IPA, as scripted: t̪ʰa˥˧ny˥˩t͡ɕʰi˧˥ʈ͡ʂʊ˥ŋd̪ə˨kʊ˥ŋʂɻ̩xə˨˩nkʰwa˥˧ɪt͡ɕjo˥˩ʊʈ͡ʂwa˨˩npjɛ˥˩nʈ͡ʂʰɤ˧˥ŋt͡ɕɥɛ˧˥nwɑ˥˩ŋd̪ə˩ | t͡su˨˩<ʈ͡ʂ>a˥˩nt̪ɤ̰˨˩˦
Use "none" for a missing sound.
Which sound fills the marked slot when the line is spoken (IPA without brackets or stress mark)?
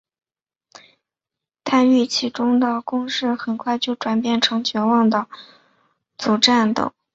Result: ʈ͡ʂ